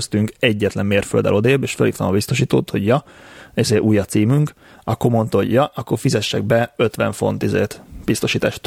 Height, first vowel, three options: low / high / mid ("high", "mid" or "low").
high